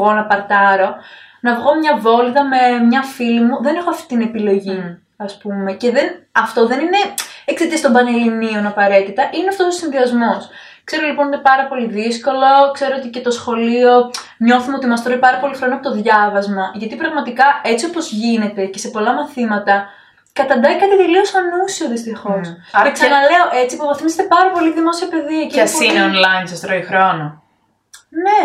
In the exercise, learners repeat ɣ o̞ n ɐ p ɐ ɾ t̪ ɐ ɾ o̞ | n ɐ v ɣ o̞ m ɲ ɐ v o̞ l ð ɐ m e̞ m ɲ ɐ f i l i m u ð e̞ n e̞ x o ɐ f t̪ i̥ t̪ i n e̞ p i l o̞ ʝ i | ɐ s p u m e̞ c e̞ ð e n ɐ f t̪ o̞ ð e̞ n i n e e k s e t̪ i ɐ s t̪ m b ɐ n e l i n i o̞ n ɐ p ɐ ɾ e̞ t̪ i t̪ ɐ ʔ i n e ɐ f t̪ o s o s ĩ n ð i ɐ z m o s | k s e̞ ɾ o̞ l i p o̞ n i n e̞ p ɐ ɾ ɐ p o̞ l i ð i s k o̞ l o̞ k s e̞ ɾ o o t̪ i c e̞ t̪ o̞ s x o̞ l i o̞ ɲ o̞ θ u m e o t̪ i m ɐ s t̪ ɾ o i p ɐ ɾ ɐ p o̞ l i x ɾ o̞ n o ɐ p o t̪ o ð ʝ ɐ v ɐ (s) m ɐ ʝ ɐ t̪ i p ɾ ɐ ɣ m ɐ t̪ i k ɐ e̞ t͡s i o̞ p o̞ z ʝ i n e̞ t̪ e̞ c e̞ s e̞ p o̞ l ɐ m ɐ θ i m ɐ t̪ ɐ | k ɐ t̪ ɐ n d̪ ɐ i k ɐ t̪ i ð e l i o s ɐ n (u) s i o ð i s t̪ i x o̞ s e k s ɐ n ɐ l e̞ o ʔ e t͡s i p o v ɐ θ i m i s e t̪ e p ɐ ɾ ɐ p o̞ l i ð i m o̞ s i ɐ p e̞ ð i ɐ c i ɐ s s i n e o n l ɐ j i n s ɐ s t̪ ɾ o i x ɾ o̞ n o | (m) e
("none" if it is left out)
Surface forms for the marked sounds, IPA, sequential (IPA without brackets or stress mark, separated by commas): z, u, n